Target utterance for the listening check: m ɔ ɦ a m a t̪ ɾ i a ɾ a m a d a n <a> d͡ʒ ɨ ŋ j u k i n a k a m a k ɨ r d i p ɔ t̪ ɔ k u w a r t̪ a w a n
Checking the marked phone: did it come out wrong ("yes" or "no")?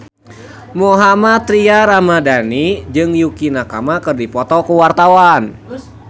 yes